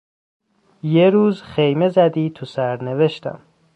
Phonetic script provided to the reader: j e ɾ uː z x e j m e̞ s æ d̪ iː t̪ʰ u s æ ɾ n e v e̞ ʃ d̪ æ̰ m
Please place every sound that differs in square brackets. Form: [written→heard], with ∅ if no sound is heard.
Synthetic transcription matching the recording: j e ɾ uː z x e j m e̞ [s→z] æ d̪ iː t̪ʰ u s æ ɾ n e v e̞ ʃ [d̪→t̪] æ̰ m